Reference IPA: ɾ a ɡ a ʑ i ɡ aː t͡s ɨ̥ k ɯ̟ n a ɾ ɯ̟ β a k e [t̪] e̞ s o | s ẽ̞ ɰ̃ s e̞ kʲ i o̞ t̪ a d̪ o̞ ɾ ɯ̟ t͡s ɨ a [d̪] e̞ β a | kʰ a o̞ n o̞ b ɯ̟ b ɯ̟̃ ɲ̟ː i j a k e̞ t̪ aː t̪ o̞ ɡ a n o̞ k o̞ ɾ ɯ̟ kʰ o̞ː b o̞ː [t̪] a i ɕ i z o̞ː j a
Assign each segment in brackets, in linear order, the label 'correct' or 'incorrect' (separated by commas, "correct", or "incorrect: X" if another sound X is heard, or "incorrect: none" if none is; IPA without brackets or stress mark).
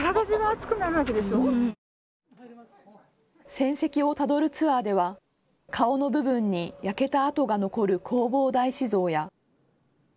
incorrect: d̪, correct, incorrect: d̪